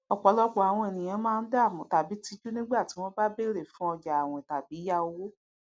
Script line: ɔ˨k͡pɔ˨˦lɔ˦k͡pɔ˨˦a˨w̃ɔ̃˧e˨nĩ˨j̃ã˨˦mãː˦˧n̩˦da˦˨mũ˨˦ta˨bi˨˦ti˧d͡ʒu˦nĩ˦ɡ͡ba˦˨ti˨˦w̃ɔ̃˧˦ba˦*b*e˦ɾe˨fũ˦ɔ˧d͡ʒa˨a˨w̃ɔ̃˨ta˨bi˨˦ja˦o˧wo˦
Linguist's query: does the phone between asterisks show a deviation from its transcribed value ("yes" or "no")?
no